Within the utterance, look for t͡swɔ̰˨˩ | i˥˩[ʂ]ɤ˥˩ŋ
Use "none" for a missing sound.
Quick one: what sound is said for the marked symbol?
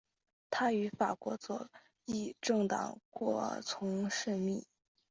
ʈ͡ʂ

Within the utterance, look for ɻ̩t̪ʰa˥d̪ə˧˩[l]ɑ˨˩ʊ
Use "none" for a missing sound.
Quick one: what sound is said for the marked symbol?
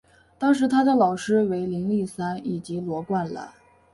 l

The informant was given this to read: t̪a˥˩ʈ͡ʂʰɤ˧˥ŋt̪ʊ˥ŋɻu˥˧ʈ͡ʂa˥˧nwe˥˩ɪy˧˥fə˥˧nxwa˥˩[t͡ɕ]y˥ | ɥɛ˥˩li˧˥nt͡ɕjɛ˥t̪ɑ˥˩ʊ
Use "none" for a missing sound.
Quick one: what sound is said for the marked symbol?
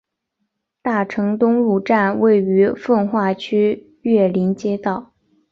t͡ɕʰ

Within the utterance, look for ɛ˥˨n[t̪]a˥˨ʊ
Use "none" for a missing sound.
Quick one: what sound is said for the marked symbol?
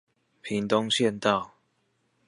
t̪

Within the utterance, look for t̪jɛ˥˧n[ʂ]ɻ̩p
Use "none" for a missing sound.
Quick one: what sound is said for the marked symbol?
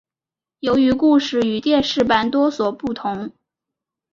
ʂ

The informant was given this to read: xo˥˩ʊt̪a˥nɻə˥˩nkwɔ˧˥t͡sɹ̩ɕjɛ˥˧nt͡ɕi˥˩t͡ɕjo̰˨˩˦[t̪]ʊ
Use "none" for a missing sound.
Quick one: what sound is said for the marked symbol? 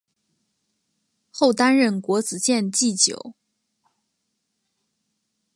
none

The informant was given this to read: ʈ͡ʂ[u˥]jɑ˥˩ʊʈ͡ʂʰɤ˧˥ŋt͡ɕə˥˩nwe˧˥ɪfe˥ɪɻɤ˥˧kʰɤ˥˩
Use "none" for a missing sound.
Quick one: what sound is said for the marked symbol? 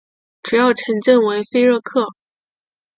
u˨˩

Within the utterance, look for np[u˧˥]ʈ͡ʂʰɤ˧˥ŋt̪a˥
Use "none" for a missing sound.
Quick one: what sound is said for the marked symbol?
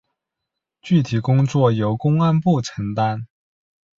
u˥˩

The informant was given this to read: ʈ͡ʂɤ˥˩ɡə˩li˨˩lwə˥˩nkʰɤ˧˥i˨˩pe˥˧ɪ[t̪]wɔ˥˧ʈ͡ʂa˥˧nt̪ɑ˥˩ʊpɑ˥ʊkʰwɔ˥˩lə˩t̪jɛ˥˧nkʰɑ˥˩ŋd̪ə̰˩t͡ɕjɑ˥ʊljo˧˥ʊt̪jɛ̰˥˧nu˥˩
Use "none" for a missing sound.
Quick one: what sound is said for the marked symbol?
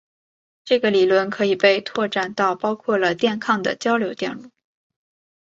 t̪ʰ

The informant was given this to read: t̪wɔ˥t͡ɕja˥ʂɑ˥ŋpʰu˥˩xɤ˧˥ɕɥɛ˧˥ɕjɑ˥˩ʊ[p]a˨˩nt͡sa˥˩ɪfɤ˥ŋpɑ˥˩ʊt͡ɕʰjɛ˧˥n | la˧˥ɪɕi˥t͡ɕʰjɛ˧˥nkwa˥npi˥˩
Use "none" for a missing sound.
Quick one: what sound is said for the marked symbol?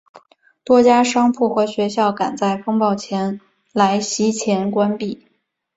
k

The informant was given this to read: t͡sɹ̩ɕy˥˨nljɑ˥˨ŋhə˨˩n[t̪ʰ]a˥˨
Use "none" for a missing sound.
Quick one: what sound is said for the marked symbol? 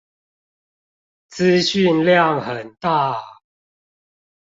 t̪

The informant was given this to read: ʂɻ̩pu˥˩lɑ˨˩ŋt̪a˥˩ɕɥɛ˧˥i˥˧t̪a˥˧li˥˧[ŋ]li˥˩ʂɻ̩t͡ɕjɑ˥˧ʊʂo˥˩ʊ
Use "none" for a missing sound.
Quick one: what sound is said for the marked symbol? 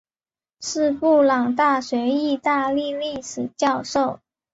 none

